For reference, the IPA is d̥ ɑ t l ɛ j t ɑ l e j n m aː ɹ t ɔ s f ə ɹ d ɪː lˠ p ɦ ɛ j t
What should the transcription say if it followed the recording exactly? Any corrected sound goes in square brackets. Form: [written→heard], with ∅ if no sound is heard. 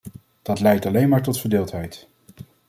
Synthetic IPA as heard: d̥ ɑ t l ɛ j t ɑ l e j n m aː ɹ t ɔ [s→t] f ə ɹ d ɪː lˠ [p→t] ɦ ɛ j t